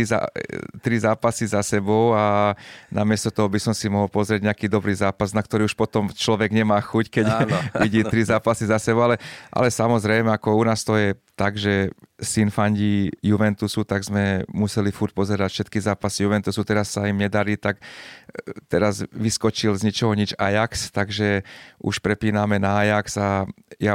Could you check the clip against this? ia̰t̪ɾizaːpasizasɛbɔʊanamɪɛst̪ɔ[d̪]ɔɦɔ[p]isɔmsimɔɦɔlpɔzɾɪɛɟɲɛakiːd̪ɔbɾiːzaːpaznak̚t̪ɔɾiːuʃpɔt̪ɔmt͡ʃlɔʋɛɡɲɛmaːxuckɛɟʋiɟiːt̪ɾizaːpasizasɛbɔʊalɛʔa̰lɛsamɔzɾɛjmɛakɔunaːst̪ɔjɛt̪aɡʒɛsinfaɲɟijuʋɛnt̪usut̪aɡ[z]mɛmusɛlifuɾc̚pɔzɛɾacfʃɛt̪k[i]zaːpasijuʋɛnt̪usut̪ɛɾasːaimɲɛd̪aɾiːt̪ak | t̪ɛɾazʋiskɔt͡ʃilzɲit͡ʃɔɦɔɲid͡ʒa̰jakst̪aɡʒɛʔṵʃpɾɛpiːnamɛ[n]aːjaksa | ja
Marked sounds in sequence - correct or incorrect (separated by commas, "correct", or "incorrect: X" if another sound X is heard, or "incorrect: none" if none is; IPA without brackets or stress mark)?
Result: incorrect: t̪, incorrect: b, correct, correct, correct